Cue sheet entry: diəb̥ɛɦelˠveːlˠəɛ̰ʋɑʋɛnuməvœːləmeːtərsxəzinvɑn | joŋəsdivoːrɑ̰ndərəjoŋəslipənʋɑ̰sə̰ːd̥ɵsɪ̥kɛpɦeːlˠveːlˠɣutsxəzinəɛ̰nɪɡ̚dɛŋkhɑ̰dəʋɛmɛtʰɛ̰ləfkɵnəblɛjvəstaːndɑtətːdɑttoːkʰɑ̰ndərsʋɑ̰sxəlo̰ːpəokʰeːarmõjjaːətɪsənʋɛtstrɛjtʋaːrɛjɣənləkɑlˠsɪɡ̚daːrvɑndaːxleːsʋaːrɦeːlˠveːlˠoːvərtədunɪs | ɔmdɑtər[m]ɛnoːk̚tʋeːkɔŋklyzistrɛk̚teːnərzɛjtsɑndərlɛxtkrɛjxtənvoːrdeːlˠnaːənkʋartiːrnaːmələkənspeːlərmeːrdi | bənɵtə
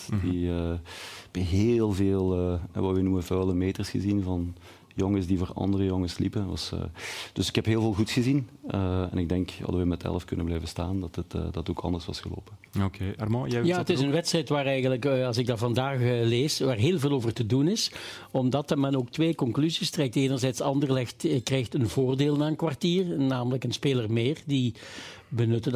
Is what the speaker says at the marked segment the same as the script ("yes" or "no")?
yes